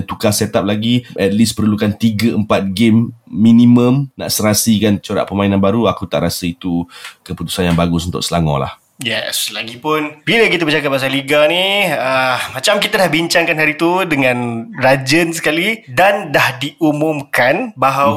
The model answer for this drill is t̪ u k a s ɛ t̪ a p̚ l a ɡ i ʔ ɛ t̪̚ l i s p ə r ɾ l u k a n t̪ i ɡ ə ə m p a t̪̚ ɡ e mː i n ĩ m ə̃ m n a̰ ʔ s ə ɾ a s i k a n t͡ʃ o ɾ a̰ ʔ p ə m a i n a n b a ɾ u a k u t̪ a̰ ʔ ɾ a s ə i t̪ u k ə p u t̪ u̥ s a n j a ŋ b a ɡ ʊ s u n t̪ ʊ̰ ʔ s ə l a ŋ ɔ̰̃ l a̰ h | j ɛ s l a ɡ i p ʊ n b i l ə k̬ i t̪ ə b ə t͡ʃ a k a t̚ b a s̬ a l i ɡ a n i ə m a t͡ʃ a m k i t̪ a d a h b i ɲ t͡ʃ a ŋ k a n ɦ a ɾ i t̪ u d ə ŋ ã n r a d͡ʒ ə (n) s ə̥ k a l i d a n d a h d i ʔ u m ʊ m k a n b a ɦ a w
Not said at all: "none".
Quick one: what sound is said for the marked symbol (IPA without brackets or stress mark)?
n